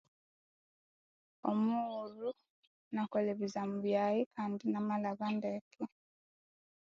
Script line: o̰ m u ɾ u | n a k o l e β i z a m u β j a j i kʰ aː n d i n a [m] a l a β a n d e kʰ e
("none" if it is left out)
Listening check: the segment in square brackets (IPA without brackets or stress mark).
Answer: m